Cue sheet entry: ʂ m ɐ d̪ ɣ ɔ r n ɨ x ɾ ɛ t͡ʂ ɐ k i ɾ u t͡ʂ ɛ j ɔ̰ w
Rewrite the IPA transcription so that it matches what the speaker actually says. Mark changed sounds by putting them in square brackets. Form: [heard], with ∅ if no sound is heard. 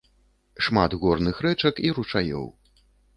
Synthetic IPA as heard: ʂ m [a] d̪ ɣ ɔ r n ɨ x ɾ ɛ t͡ʂ ɐ k i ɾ u t͡ʂ [a] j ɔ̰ w